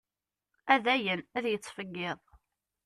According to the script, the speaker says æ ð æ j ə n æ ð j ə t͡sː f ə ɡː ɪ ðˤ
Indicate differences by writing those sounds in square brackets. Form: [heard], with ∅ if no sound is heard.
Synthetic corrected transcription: æ ð æ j ə n æ ð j ə t͡sː f ə ɡː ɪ ðˤ